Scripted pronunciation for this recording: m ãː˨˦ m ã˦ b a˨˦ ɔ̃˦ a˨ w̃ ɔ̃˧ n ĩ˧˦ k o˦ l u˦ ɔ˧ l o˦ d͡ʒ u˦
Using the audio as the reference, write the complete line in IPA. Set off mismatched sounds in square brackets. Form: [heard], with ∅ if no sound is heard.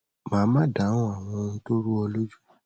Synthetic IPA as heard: m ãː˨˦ m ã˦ [d] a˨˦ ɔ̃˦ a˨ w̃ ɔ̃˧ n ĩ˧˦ [t] o˦ [ɾ] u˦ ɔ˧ l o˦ d͡ʒ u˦